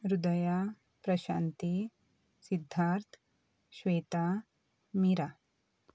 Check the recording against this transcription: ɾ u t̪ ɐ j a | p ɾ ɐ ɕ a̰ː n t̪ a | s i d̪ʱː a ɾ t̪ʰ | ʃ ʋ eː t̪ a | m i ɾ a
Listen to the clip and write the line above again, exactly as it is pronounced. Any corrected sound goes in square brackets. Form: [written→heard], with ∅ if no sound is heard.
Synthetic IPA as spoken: ɾ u [t̪→d̪] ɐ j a | p ɾ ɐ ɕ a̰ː n t̪ [a→i] | s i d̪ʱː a ɾ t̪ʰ | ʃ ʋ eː t̪ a | m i ɾ a